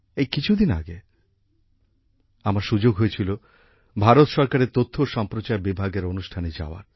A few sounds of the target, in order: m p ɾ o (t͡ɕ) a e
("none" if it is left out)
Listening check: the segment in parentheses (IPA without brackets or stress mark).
t͡ɕ